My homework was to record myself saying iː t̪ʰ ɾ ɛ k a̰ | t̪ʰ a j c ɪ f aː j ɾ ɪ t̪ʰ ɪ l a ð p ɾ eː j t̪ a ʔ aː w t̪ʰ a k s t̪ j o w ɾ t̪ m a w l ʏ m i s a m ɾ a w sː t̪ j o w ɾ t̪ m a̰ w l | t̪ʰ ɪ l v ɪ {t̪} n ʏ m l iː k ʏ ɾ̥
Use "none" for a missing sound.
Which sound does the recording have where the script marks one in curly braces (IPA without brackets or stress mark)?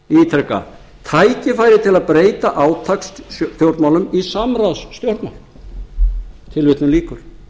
t̪